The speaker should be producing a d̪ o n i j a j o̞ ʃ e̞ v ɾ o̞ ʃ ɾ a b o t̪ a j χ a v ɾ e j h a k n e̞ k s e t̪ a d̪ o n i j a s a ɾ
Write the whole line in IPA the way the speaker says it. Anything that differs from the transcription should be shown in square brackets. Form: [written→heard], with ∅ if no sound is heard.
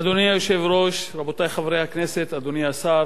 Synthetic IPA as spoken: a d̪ o n i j a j o̞ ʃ e̞ v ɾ o̞ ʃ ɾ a b o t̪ a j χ a v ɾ e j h a k n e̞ [k→∅] s e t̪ a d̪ o n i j a s a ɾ